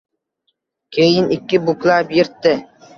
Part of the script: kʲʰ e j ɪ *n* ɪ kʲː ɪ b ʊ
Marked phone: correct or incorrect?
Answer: correct